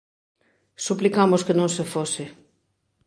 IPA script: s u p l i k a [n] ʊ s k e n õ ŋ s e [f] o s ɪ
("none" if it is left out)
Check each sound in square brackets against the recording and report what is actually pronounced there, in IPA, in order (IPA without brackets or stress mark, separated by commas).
m, f